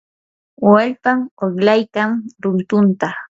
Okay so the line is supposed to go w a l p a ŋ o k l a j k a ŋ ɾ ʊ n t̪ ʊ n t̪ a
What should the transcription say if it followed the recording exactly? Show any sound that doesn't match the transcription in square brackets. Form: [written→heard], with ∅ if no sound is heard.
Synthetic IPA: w a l p a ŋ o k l a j k a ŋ ɾ ʊ n t̪ ʊ n t̪ a